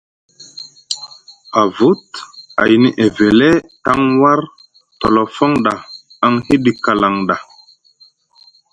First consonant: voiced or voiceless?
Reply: voiced